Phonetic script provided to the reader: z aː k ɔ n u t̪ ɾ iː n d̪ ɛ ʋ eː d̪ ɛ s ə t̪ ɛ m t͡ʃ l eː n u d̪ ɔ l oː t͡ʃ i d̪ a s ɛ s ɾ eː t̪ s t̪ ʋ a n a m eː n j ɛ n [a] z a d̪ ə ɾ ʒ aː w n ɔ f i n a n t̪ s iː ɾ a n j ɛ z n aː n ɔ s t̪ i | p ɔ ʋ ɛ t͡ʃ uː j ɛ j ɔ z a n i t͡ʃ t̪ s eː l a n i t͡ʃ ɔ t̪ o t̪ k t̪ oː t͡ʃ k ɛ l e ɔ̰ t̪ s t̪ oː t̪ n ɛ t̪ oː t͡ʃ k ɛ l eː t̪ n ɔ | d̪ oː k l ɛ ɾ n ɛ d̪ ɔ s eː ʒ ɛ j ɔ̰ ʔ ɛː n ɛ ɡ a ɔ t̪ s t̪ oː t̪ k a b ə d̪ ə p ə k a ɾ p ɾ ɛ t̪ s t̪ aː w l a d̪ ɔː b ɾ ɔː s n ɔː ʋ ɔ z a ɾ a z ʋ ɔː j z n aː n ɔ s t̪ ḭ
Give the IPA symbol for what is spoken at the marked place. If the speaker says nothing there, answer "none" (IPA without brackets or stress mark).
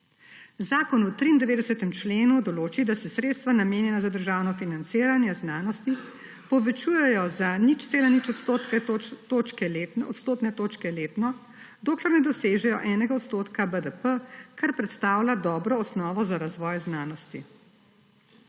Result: a